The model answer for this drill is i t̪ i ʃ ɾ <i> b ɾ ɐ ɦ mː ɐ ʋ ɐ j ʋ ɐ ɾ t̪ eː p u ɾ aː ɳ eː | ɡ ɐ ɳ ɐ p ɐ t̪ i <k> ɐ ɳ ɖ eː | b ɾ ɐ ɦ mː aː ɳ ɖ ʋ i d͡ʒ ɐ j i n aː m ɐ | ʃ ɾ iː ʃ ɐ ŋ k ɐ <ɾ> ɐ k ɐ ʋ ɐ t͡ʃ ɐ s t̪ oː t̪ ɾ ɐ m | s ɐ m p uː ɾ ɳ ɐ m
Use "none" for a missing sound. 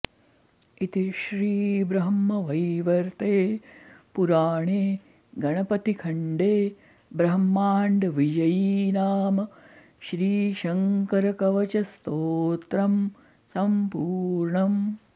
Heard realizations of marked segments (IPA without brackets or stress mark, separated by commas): iː, kʰ, ɾ